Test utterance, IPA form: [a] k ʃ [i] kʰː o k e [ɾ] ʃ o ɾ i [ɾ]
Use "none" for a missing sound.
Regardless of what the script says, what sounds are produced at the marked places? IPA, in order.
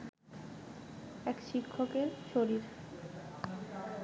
ɛ, i, ɾ, ɾ

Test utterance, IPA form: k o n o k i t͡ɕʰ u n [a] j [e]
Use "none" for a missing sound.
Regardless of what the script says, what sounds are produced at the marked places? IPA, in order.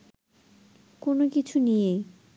i, e

